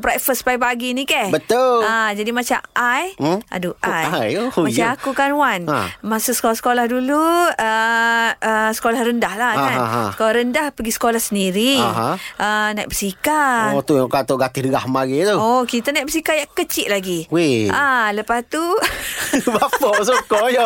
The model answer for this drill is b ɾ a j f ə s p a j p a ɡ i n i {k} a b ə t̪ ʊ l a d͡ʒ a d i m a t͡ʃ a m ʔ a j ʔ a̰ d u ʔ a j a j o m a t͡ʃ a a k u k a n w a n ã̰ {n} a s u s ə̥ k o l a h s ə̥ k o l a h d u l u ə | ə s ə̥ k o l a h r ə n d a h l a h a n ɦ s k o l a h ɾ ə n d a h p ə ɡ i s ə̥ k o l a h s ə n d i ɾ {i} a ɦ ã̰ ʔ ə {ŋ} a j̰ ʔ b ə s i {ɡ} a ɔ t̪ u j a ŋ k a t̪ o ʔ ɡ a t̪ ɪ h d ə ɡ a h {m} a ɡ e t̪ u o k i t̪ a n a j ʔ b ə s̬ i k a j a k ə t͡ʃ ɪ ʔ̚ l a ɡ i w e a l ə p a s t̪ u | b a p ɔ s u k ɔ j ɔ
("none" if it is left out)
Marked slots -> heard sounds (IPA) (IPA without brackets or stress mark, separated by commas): k, m, i, n, k, m